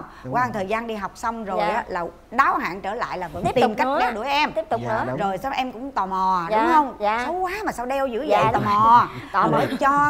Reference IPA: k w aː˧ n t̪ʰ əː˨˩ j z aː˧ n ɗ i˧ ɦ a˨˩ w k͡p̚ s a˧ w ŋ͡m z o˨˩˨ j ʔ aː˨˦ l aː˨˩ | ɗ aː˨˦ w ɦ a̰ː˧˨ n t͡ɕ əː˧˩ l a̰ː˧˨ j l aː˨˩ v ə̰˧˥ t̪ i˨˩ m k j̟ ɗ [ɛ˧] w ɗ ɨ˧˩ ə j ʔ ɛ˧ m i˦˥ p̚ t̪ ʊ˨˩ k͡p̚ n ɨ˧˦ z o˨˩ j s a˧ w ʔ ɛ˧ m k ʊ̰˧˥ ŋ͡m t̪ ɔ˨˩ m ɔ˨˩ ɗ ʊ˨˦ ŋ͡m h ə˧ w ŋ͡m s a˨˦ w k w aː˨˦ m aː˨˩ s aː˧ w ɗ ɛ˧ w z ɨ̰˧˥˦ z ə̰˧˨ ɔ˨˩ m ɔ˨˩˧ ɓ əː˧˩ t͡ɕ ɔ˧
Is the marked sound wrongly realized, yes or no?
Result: no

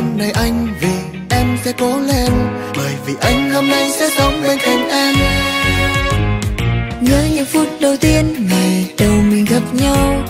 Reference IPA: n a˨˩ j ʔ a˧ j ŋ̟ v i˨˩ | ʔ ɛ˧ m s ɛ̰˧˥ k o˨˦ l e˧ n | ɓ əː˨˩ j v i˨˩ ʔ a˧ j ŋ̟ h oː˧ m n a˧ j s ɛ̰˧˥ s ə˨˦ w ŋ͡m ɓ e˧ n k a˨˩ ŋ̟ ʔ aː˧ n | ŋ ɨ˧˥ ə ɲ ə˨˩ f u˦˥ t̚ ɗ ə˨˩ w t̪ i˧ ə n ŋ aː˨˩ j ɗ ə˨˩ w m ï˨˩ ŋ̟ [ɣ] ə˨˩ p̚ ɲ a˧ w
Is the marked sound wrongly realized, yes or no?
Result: no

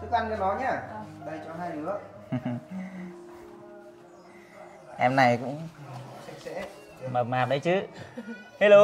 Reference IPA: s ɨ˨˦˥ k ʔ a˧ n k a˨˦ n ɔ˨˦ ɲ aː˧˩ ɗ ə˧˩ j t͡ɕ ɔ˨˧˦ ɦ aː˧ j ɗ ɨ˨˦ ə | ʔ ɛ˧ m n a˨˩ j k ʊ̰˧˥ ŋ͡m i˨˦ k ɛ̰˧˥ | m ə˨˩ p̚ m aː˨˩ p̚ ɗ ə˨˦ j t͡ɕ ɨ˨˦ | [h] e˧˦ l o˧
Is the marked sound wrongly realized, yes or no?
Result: no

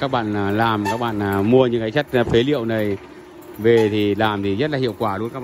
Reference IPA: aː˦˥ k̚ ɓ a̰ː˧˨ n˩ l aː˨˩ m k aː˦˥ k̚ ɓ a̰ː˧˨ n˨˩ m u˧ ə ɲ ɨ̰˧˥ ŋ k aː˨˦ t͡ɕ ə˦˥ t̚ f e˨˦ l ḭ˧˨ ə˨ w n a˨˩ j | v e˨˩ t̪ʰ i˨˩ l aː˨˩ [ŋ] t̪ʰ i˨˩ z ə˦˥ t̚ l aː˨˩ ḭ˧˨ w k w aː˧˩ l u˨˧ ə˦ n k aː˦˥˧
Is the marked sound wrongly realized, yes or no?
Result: yes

